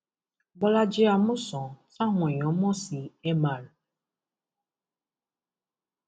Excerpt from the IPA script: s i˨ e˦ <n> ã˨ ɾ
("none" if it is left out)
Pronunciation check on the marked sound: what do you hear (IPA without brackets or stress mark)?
m